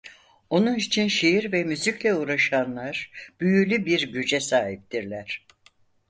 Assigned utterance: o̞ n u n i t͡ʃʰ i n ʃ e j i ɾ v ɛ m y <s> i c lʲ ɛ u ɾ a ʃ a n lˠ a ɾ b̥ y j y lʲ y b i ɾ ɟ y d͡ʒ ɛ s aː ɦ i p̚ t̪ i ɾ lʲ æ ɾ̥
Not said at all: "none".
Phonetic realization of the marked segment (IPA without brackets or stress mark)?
z